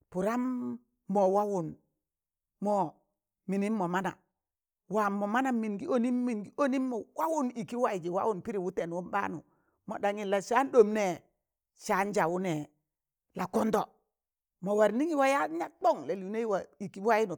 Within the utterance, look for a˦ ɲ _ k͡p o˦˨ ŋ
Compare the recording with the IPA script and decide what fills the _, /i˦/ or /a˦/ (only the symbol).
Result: a˦